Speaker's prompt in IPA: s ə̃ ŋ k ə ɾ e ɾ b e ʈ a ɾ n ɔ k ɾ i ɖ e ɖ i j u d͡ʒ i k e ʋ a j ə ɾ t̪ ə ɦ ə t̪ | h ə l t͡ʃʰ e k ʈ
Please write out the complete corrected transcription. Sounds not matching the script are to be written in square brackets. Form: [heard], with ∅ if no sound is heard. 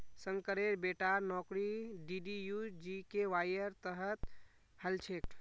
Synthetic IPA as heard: s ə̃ ŋ k ə ɾ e ɾ b e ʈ a ɾ n ɔ k ɾ i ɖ [i] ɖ i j u d͡ʒ i k e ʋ a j ə ɾ t̪ ə ɦ ə t̪ | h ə l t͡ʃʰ e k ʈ